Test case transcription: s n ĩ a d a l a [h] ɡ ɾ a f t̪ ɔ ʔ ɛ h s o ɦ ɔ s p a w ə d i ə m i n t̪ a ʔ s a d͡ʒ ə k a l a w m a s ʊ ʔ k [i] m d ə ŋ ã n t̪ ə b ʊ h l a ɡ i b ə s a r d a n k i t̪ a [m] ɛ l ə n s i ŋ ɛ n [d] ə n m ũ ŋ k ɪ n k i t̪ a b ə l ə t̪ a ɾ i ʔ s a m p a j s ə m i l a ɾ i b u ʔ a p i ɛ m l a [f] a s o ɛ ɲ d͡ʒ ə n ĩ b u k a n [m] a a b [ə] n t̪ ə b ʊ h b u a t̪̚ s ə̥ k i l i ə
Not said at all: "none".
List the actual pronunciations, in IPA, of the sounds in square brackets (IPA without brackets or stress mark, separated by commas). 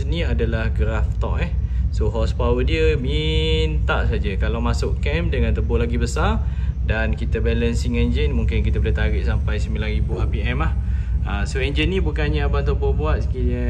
h, ɛ, b, d͡ʒ, h, ɲ, a